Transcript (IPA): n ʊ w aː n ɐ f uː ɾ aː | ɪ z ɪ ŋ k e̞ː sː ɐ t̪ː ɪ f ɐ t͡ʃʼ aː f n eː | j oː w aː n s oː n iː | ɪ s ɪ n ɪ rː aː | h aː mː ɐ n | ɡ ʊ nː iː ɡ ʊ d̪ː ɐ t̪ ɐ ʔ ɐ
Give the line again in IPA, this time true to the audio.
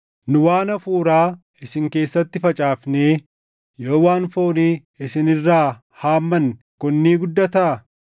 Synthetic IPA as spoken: n ʊ w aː n ɐ f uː ɾ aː | ɪ s ɪ ŋ k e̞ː sː ɐ t̪ː ɪ f ɐ t͡ʃʼ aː f n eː | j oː w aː n f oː n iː | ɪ s ɪ n ɪ rː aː | h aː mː ɐ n | k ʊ nː iː ɡ ʊ d̪ː ɐ t̪ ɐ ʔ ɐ